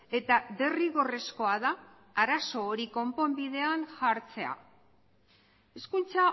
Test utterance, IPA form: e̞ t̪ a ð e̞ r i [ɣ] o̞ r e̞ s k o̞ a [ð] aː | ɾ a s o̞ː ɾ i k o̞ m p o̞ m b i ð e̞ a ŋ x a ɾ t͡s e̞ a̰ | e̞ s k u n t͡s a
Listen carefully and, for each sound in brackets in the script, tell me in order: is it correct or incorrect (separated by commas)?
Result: correct, correct